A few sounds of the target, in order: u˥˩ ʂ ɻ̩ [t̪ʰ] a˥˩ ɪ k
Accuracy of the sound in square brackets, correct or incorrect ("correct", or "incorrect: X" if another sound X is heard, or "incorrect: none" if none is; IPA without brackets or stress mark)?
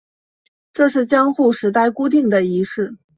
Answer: incorrect: t̪